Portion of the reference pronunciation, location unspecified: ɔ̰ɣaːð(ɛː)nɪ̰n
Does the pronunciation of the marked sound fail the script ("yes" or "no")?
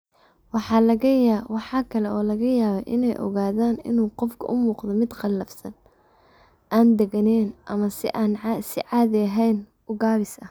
yes